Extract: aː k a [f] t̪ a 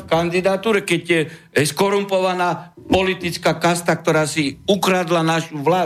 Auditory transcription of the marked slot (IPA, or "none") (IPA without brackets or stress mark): s